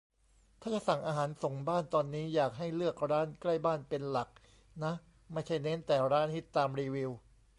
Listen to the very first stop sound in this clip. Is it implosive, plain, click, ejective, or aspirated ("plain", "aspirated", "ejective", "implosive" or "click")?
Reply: aspirated